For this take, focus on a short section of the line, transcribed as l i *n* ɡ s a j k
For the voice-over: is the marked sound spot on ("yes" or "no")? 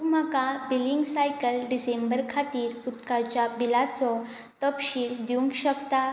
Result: no